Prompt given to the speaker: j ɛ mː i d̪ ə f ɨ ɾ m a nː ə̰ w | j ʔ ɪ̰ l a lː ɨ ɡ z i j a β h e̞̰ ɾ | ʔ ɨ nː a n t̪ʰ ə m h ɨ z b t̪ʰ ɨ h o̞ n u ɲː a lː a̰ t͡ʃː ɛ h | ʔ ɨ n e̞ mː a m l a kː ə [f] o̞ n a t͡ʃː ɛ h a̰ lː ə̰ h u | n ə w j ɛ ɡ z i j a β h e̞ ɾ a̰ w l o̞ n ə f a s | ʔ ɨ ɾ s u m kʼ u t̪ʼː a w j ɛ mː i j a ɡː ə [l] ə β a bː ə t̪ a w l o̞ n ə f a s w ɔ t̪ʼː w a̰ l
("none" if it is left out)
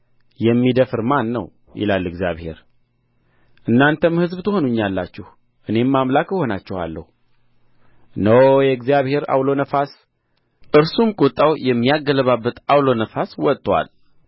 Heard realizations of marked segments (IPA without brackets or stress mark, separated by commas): h, l